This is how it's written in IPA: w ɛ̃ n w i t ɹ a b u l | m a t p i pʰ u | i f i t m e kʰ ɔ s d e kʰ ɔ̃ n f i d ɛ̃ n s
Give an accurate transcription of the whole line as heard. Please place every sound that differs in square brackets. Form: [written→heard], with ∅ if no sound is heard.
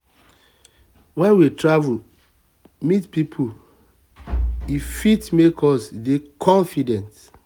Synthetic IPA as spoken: w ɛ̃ n w i t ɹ a [b→v] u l | m [a→i] t p i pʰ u | i f i t m e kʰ ɔ s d e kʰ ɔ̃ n f i d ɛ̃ n [s→t]